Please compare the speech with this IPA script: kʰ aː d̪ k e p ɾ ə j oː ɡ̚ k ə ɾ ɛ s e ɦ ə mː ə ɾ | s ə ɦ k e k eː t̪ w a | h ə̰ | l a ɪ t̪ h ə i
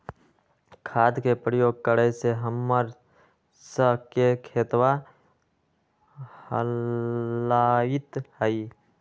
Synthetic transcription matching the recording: kʰ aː d̪ k e p ɾ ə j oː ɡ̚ k ə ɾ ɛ s e ɦ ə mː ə ɾ | s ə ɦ k e kʰ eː t̪ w a | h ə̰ | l a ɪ t̪ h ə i